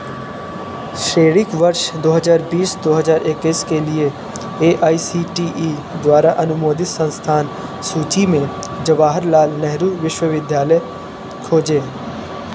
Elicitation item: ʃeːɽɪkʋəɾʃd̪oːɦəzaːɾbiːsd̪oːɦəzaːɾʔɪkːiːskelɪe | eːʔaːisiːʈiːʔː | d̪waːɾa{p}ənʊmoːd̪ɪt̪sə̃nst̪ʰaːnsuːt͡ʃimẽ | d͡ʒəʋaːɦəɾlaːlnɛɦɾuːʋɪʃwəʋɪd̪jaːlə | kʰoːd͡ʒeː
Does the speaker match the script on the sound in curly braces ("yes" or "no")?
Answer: no